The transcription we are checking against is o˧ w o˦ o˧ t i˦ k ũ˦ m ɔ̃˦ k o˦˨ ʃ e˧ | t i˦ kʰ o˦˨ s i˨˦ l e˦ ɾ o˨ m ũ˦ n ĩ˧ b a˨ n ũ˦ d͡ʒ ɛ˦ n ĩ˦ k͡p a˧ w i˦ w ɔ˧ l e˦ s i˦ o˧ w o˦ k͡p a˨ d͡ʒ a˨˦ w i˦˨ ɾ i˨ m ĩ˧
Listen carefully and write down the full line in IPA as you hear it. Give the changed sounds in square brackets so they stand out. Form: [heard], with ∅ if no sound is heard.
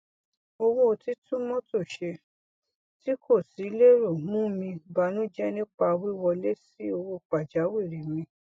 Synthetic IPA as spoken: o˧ w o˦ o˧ t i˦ [t] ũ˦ m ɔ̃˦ [t] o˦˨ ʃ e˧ | t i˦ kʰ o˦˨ s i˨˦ l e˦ ɾ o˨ m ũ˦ [m] ĩ˧ b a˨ n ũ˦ d͡ʒ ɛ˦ n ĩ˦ k͡p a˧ w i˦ w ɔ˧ l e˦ s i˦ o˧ w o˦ k͡p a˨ d͡ʒ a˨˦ w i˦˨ ɾ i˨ m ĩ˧